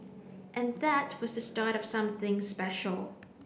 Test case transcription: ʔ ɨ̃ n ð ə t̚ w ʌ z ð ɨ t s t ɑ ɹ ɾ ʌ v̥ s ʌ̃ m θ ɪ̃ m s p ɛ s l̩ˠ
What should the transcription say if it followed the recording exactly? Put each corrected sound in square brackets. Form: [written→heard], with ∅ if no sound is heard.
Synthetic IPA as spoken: ʔ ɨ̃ n ð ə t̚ w ʌ z ð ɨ [t→∅] s t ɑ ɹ ɾ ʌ v̥ s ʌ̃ m θ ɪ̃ [m→ŋ] s p ɛ [s→ʃ] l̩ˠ